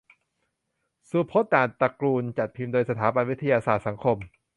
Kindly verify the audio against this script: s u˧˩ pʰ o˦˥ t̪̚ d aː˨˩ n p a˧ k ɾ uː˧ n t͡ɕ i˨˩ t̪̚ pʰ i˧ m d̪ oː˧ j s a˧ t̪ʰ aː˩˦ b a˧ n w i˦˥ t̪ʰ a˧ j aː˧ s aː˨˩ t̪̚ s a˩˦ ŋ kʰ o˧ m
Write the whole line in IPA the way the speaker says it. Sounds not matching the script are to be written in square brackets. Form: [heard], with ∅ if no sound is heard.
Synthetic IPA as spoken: s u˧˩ pʰ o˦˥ t̪̚ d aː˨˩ n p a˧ k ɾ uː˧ n t͡ɕ [a˨˩] t̪̚ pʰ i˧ m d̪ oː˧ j s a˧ t̪ʰ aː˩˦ b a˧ n w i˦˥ t̪ʰ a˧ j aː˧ s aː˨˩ t̪̚ s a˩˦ ŋ kʰ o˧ m